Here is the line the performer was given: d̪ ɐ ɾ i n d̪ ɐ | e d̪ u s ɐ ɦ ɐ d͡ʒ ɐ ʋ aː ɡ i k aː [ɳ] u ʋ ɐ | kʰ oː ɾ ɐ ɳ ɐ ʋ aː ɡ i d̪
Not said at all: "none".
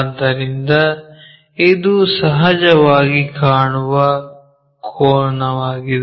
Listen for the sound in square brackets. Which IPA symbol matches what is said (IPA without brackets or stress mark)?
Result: ɳ